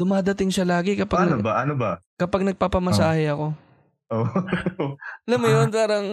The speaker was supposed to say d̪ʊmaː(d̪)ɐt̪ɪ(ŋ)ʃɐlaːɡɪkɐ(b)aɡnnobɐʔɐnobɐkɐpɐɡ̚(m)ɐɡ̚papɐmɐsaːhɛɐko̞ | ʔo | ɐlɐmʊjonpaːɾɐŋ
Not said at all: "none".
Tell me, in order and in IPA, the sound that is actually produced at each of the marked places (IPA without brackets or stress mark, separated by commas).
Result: d̪, ŋ, p, n